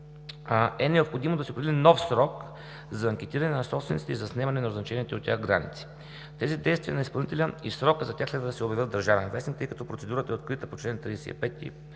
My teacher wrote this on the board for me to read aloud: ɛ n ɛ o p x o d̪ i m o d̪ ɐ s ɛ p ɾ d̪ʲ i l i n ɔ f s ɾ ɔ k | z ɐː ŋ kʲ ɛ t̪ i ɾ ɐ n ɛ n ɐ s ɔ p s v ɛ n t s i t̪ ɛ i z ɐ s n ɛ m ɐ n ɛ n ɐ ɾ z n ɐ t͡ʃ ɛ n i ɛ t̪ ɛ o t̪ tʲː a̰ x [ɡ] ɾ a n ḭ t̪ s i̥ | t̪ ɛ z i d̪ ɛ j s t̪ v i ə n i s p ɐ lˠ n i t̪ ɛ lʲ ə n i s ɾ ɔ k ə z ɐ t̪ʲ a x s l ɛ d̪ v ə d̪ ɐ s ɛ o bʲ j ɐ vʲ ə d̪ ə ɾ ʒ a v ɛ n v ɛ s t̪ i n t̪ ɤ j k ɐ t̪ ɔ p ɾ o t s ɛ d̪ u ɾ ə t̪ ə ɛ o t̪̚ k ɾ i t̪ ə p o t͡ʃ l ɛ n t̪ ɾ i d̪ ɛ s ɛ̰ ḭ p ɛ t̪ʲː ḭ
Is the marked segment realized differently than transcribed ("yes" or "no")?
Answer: no